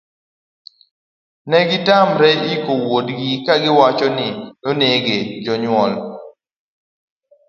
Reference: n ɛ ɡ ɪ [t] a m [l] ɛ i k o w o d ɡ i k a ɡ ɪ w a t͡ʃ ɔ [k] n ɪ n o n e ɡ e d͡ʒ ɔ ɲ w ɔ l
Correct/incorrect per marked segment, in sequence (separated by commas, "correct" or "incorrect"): correct, incorrect, incorrect